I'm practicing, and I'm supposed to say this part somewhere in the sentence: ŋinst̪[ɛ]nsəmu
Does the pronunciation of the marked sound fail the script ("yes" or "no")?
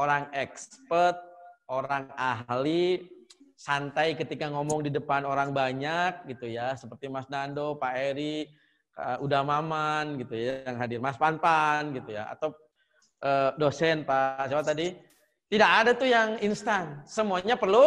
yes